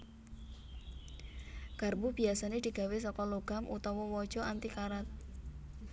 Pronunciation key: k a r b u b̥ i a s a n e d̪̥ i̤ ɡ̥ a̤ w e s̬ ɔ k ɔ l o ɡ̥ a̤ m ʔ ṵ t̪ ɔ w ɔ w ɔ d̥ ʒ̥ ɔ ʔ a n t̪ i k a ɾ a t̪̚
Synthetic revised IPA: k a r b u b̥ i a s a n e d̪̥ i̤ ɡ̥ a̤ w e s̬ ɔ k ɔ l o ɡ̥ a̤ m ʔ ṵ t̪ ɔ w ɔ w ɔ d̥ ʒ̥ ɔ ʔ a n t̪ i k a ɾ a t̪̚